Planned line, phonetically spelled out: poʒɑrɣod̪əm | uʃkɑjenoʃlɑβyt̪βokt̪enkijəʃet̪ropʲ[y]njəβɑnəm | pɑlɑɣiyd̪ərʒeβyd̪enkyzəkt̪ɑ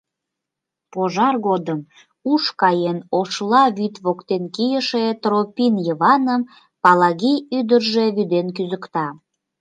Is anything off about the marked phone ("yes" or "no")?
yes